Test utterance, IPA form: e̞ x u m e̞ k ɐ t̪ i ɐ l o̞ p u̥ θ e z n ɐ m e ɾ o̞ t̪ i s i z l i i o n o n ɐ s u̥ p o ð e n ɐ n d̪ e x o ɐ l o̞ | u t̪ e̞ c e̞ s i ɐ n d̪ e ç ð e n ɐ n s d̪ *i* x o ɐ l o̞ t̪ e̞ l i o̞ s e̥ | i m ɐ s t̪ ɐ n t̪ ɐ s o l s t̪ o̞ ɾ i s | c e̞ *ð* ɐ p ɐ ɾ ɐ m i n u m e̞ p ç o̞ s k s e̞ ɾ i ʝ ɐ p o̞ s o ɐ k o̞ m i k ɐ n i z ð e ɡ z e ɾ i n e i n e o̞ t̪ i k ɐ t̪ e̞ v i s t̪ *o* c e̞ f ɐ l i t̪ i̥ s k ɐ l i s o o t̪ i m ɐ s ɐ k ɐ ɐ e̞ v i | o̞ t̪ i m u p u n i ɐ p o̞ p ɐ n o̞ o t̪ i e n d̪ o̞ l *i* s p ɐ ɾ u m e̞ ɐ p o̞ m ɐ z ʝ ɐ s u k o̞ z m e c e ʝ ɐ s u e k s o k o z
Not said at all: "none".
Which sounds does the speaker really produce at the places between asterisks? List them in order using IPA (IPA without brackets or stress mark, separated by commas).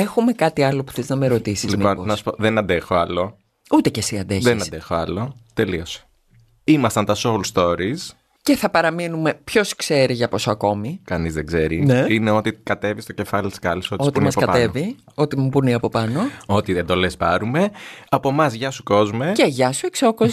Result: e, θ, o, e